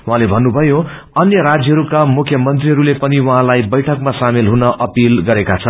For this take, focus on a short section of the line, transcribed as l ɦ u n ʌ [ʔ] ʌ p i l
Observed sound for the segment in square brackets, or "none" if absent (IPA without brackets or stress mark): ʔ